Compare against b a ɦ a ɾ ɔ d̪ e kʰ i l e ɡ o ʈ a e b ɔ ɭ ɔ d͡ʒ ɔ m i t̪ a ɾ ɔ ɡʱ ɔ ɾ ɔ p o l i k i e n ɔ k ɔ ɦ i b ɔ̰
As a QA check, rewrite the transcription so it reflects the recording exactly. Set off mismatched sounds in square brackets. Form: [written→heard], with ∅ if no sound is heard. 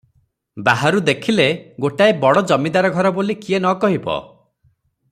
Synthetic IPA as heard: b a ɦ a ɾ [ɔ→u] d̪ e kʰ i l e ɡ o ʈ a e b ɔ [ɭ→ɽ] ɔ d͡ʒ ɔ m i [t̪→d̪] a ɾ ɔ ɡʱ ɔ ɾ ɔ [p→b] o l i k i e n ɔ k ɔ ɦ i b ɔ̰